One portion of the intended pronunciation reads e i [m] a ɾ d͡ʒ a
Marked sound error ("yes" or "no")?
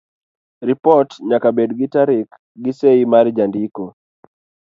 no